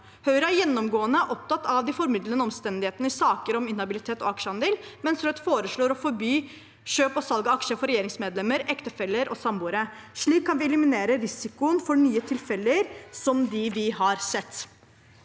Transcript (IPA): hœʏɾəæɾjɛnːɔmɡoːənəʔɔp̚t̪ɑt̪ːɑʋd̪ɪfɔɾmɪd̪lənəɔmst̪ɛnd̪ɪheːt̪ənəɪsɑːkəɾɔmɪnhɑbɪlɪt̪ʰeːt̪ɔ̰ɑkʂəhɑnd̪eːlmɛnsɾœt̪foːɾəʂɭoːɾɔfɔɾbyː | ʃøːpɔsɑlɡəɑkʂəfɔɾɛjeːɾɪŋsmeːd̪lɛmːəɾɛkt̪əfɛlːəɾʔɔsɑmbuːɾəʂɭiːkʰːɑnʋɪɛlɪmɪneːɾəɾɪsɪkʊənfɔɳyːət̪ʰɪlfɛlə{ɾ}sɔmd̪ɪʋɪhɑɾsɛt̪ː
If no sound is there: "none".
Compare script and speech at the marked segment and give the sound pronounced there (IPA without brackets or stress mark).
ɾ